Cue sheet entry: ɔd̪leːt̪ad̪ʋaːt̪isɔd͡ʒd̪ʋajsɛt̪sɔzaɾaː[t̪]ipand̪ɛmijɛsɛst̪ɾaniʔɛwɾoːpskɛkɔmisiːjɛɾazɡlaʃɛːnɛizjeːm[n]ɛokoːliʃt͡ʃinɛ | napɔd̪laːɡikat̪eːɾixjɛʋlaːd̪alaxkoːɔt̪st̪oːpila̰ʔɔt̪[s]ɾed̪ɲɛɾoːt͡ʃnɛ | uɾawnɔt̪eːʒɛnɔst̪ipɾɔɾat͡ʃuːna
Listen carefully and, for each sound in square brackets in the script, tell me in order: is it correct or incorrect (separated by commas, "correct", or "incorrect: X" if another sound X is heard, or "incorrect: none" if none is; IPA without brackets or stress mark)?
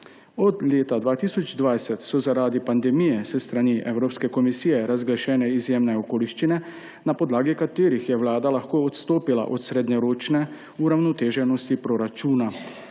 incorrect: d̪, correct, correct